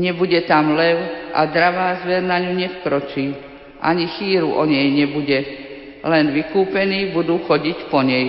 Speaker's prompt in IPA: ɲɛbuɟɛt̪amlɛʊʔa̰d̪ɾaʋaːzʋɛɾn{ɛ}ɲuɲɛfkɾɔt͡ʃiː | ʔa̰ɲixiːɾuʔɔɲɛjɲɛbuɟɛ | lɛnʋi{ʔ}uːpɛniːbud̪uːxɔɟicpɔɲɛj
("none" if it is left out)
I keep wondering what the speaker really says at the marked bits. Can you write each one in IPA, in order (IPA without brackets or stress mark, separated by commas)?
a, k